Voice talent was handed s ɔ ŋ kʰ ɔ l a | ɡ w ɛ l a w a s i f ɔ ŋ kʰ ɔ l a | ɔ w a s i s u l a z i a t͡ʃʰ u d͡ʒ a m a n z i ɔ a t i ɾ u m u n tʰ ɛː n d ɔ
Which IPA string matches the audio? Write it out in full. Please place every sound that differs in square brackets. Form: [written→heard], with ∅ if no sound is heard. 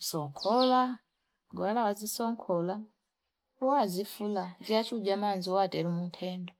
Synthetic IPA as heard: s ɔ ŋ kʰ ɔ l a | ɡ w [ɛ→a] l a w a [s→z] i [f→s] ɔ ŋ kʰ ɔ l a | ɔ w a [s→z] i [s→f] u l a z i a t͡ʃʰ u d͡ʒ a m a n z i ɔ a t [i→ɛ] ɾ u m u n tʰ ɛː n d ɔ